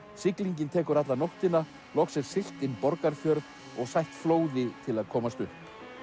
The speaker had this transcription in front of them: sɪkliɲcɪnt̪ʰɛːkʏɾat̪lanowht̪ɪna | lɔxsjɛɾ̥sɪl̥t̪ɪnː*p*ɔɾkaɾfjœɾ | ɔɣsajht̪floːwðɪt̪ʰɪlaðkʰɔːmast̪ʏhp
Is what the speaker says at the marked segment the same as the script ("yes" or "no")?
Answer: yes